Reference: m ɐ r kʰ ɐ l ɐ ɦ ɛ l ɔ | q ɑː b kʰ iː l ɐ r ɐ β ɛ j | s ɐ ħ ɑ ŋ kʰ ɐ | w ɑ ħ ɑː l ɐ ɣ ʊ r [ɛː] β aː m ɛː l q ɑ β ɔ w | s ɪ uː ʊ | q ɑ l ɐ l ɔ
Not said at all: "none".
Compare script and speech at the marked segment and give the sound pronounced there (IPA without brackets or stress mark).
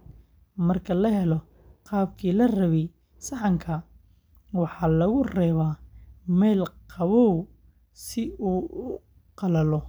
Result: ɛː